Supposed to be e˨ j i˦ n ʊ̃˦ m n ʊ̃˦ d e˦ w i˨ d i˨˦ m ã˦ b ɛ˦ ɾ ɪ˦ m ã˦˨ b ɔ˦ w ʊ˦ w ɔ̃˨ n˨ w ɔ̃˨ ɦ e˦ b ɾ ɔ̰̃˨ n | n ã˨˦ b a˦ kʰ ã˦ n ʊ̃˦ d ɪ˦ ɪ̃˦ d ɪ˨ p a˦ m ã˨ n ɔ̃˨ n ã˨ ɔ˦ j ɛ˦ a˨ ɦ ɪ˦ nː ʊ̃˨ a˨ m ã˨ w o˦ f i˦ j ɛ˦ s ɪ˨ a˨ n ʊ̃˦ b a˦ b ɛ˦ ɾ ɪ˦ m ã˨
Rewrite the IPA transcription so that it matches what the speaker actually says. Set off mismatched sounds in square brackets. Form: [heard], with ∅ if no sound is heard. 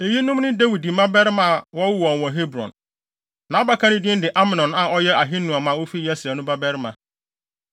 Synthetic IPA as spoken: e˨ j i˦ n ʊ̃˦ m n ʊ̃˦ d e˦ w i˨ d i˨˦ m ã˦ b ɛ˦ ɾ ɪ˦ m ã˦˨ [w] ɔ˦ w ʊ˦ w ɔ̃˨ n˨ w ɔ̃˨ ɦ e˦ b ɾ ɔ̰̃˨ n | n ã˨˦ b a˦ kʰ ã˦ n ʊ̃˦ d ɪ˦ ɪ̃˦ d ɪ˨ [ʔ] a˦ m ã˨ n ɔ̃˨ n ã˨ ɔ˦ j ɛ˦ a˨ ɦ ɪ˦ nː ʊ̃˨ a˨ m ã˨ w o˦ f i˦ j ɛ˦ s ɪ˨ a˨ n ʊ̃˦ b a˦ b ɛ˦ ɾ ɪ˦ m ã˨